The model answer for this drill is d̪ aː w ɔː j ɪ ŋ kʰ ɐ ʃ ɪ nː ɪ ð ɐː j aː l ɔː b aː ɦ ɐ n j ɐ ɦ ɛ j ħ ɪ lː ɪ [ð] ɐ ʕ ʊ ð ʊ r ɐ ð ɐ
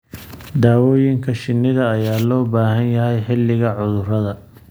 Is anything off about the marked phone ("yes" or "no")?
yes